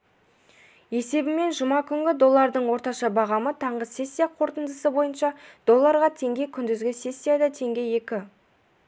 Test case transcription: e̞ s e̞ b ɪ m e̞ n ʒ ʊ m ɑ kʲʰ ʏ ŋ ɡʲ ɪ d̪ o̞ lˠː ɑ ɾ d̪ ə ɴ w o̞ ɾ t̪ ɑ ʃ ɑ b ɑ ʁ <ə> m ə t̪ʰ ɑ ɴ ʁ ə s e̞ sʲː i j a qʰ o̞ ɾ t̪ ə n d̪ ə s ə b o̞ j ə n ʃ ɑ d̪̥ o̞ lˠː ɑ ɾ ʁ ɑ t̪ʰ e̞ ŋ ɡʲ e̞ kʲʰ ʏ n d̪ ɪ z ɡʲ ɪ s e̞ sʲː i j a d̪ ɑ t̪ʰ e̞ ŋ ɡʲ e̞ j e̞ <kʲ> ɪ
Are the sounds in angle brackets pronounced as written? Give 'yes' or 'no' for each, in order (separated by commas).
no, yes